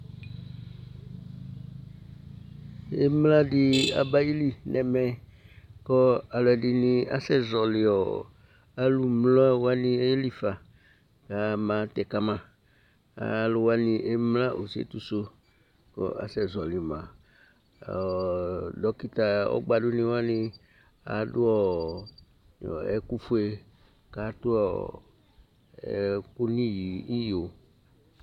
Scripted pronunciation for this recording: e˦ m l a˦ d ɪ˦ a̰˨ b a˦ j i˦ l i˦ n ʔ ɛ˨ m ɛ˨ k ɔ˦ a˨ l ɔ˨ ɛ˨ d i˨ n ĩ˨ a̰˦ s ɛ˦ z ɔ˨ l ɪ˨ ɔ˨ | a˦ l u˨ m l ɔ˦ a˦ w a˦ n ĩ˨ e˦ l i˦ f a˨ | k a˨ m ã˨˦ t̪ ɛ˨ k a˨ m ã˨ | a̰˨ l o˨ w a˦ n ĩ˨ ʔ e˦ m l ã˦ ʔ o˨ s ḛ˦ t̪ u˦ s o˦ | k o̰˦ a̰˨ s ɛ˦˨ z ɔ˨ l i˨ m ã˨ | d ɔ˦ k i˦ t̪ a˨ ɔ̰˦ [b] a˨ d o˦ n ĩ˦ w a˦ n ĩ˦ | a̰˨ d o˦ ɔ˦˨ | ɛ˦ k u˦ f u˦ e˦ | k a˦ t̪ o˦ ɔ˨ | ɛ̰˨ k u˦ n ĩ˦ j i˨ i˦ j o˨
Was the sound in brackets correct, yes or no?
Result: no